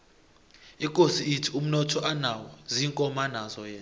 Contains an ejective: yes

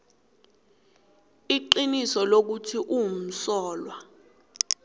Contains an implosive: no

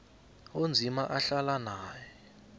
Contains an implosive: no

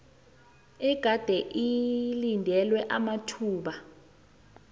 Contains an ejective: no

